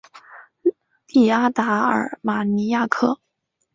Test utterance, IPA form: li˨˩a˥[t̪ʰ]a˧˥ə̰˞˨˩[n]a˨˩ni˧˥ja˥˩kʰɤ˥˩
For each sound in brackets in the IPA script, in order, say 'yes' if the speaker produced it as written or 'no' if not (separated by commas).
no, no